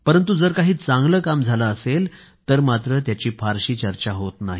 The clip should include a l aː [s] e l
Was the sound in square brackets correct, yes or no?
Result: yes